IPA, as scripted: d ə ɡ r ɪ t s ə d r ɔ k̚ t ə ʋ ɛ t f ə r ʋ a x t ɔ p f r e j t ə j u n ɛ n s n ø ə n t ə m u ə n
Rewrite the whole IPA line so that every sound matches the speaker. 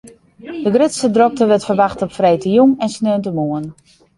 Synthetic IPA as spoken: d ə ɡ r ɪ t s ə d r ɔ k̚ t ə ʋ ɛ t f ə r ʋ a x t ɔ p f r e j t ə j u ŋ ɛ n s n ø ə n t ə m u ə n